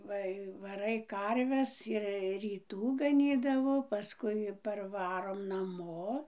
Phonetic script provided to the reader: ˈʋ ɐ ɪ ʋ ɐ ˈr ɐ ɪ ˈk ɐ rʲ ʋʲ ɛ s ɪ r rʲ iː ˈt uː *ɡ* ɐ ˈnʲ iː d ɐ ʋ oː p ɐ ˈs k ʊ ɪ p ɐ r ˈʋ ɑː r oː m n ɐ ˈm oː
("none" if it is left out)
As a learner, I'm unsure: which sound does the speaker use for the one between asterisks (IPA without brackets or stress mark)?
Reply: ɡ